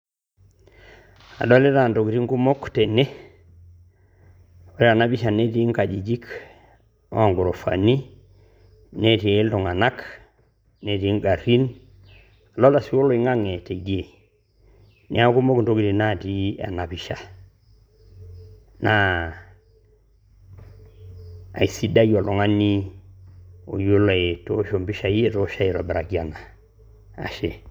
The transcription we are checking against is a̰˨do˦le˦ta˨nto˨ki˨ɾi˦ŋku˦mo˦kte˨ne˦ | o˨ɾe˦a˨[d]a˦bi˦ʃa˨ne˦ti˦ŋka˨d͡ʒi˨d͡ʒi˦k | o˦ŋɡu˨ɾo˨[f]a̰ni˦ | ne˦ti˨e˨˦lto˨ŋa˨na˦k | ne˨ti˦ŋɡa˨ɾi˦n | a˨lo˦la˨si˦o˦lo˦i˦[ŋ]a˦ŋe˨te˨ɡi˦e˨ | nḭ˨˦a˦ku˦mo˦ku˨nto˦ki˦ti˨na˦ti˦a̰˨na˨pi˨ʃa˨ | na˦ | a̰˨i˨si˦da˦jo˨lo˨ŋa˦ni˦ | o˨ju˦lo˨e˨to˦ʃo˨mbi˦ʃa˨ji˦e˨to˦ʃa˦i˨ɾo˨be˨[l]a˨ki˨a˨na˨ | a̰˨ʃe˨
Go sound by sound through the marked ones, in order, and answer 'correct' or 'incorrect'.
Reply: incorrect: n, correct, correct, incorrect: ɾ

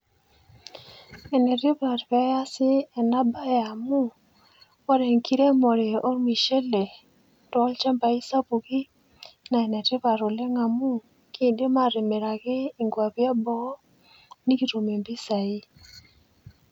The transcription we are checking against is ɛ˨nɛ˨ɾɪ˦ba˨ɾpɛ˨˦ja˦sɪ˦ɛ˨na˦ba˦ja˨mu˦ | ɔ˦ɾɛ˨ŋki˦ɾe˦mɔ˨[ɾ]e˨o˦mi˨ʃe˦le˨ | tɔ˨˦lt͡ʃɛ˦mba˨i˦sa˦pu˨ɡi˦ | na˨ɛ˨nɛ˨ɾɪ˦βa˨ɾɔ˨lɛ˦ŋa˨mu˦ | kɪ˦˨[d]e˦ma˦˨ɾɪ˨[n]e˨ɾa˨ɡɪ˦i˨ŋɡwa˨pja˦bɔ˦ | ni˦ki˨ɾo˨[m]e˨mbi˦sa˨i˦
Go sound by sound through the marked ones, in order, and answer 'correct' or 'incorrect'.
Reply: correct, correct, incorrect: m, correct

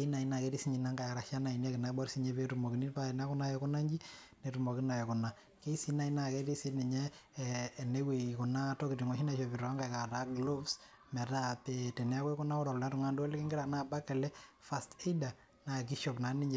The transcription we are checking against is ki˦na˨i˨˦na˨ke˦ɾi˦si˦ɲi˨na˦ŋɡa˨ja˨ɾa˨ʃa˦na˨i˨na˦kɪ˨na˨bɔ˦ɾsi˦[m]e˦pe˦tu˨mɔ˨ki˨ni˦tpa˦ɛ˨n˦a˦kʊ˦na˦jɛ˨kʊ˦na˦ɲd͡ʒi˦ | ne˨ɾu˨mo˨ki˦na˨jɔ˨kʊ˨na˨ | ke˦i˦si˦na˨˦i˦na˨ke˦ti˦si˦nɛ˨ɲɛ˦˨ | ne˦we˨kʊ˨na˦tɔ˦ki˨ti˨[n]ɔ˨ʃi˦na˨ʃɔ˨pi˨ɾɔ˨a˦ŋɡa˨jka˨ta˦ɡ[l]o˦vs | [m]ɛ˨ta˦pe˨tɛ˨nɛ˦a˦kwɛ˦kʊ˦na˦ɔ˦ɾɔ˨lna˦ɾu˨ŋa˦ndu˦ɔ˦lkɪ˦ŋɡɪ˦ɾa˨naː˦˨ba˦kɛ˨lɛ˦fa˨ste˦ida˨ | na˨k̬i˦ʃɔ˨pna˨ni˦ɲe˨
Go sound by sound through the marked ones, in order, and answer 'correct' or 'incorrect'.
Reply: incorrect: ɲ, incorrect: ŋ, correct, correct

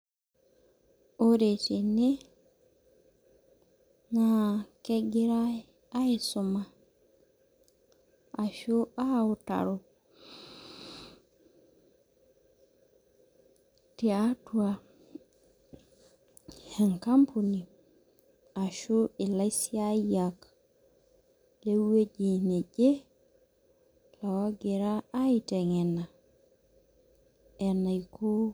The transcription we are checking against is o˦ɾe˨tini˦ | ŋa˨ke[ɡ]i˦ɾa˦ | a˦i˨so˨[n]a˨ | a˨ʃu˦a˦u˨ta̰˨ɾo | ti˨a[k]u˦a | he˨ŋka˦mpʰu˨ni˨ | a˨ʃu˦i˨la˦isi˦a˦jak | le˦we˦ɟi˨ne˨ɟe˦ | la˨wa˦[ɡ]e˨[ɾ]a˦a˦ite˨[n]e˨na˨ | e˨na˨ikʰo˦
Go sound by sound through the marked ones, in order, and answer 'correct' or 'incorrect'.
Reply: correct, incorrect: m, incorrect: t, correct, correct, incorrect: ŋ

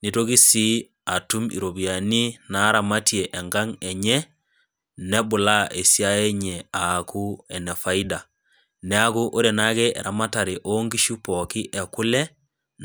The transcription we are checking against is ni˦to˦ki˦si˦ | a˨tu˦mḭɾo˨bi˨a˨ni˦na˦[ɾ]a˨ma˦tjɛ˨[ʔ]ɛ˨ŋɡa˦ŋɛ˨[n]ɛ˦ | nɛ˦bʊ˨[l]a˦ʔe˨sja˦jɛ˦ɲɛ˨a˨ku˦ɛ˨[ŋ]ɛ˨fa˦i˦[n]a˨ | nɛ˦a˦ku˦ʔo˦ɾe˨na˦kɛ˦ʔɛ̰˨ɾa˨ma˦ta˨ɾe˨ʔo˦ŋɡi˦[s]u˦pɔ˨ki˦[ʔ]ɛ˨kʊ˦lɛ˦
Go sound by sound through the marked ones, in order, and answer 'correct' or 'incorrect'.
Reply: correct, correct, incorrect: ɲ, correct, incorrect: n, incorrect: d, incorrect: ʃ, correct

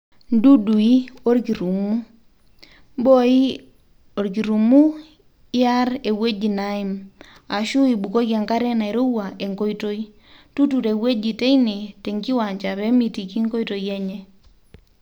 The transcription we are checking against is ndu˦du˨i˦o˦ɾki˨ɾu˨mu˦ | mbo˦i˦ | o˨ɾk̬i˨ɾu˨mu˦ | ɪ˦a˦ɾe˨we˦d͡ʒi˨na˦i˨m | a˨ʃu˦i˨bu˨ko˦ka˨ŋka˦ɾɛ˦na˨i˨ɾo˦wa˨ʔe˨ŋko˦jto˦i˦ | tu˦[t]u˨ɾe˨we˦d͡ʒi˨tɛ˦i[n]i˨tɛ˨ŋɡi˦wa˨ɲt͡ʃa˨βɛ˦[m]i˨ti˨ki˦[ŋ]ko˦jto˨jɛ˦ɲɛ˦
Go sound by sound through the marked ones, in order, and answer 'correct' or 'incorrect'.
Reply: correct, correct, correct, correct

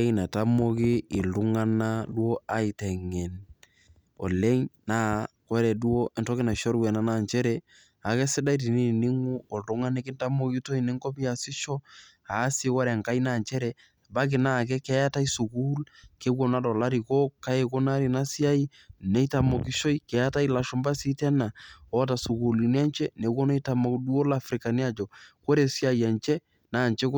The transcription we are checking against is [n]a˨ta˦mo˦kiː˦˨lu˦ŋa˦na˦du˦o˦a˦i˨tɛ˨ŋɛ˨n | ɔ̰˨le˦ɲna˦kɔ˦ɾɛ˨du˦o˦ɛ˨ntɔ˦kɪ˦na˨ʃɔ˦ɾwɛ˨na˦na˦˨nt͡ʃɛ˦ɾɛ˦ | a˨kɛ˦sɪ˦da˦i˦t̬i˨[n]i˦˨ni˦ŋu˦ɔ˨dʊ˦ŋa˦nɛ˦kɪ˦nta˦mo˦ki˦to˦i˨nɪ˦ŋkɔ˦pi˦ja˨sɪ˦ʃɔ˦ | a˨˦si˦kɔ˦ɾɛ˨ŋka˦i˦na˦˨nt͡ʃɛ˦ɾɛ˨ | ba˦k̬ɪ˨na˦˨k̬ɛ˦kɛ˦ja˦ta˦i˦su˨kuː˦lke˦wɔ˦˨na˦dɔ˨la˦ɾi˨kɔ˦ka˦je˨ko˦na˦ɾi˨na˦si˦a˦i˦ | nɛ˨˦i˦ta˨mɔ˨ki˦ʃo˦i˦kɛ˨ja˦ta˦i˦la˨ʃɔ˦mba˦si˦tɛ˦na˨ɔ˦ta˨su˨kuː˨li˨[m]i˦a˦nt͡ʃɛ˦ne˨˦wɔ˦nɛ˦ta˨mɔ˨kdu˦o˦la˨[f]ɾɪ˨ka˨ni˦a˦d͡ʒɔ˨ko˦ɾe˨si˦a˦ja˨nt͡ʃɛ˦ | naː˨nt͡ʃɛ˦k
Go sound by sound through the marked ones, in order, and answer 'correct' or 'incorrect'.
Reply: correct, correct, incorrect: n, correct

